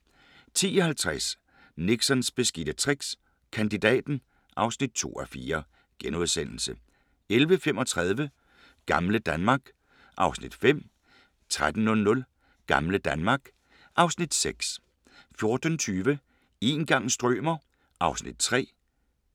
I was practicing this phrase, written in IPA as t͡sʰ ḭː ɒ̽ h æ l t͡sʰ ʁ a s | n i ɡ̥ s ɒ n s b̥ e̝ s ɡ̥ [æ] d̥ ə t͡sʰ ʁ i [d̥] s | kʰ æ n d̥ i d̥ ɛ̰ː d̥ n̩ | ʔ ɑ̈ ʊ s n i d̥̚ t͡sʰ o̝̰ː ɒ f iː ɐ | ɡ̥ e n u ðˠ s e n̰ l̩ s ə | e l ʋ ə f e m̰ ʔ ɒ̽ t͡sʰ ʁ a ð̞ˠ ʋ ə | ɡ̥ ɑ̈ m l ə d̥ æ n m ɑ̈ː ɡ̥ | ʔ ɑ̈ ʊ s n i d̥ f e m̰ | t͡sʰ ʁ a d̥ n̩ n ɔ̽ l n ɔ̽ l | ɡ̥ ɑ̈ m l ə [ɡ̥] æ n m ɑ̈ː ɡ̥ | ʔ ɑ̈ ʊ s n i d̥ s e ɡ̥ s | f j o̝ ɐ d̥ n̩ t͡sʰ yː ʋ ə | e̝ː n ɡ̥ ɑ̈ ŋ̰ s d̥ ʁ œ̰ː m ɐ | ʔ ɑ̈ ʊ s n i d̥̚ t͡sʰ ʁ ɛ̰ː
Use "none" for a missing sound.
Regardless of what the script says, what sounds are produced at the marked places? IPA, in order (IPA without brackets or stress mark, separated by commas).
i, ɡ̥, d̥